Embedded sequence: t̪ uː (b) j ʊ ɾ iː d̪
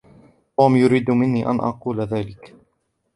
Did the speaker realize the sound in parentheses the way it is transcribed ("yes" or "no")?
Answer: no